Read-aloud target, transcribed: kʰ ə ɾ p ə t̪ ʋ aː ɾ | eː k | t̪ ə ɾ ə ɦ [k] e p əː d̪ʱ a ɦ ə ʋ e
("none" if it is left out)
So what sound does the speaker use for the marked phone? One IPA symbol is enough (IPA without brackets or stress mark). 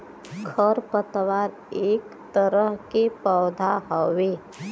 k